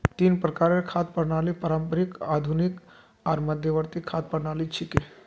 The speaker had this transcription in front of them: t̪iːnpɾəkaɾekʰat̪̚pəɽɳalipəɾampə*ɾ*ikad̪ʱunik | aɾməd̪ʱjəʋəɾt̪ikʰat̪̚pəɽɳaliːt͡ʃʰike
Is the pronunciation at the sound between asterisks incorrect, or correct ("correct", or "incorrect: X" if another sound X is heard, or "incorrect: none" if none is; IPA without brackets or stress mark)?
correct